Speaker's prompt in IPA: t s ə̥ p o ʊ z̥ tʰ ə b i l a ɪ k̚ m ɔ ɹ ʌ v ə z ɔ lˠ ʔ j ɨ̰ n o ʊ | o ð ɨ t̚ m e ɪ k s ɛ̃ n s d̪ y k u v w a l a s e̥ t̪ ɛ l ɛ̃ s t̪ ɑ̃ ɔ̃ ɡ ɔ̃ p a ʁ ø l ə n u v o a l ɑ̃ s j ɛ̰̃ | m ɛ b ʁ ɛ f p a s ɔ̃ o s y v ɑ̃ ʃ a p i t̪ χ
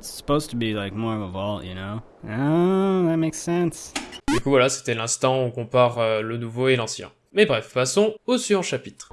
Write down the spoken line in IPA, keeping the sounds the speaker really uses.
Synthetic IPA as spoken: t s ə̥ p o ʊ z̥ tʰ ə b i l a ɪ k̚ m ɔ ɹ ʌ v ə v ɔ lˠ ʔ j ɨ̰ n o ʊ | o ð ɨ t̚ m e ɪ k s ɛ̃ n s d̪ y k u v w a l a s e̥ t̪ ɛ l ɛ̃ s t̪ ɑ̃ ɔ̃ k ɔ̃ p a ʁ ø l ə n u v o e l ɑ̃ s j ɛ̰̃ | m ɛ b ʁ ɛ f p a s ɔ̃ o s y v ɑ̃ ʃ a p i t̪ χ